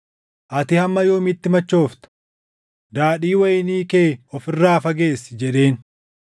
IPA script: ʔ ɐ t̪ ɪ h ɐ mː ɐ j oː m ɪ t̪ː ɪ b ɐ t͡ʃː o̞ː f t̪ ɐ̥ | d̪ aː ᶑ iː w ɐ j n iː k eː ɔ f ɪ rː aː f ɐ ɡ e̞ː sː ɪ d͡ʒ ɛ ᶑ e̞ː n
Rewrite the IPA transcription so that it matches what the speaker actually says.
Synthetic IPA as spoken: ʔ ɐ t̪ ɪ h ɐ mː ɐ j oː m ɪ t̪ː ɪ m ɐ t͡ʃː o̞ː f t̪ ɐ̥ | d̪ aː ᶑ iː w ɐ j n iː k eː ɔ f ɪ rː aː f ɐ ɡ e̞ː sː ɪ d͡ʒ ɛ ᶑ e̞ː n